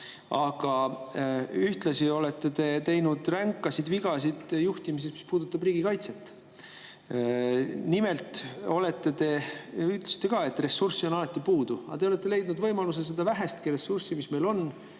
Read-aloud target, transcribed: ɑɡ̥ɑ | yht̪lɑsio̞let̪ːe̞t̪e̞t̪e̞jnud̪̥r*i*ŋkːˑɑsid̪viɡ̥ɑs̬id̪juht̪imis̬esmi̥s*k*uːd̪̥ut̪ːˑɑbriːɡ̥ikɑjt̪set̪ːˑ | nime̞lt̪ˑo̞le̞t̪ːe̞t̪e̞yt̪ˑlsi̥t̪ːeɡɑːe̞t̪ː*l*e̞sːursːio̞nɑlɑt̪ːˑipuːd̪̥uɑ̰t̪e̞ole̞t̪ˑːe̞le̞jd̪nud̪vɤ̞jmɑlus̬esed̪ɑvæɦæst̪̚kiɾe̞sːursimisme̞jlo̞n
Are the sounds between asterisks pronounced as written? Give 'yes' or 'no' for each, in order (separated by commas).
no, no, no